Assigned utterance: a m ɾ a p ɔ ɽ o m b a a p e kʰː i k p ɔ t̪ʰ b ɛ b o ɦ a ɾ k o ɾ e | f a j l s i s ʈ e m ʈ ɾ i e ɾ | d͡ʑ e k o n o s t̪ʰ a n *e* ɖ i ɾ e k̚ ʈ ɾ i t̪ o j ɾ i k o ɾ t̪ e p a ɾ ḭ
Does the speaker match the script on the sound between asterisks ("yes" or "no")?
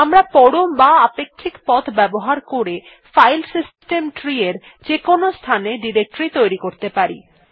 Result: yes